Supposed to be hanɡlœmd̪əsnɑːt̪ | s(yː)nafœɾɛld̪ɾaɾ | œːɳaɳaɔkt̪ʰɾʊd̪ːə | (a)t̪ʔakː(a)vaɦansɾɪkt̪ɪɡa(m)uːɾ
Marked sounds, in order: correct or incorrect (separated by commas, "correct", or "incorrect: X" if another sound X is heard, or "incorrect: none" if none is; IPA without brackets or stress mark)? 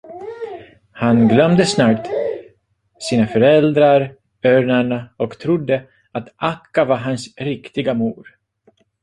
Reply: incorrect: iː, correct, correct, correct